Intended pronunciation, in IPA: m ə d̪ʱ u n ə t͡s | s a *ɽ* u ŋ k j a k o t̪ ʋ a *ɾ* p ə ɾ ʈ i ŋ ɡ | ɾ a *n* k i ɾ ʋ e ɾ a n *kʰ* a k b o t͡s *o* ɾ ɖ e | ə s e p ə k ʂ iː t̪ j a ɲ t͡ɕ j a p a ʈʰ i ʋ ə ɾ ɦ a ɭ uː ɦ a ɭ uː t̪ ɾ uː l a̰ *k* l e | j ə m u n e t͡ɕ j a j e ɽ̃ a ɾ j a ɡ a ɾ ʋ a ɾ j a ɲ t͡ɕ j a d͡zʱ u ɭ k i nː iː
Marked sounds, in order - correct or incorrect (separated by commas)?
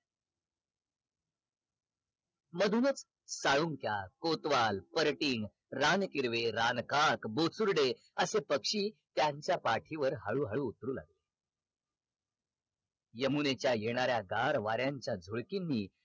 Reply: incorrect, incorrect, correct, incorrect, incorrect, incorrect